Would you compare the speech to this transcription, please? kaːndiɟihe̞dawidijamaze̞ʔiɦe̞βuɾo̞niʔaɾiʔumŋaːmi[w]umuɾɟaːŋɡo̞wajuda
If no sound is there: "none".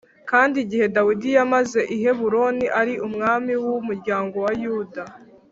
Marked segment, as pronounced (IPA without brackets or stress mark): w